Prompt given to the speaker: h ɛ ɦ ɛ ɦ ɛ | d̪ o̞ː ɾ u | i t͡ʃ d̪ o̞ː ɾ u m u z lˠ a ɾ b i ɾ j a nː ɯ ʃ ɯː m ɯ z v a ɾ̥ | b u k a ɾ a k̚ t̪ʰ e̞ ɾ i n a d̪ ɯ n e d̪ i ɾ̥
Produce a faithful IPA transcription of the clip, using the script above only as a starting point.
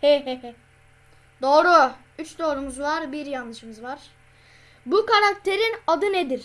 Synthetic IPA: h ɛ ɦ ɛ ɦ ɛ | d̪ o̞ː ɾ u | y t͡ʃ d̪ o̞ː ɾ u m u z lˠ a ɾ b i ɾ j a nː ɯ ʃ ɯ m ɯ z v a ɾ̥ | b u k a ɾ a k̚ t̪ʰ e̞ ɾ i n a d̪ ɯ n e d̪ i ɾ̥